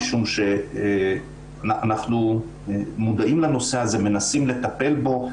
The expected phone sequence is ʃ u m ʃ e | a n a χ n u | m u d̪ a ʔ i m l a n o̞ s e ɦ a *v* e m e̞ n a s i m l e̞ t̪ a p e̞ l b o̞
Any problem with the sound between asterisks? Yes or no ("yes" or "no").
yes